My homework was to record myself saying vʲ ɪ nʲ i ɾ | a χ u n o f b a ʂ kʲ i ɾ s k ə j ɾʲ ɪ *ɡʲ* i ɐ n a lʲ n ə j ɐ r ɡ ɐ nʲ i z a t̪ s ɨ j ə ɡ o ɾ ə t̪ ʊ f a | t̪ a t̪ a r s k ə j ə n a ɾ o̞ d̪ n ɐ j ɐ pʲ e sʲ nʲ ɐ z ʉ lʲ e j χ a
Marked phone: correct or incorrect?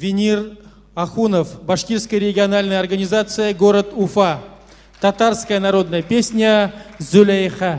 correct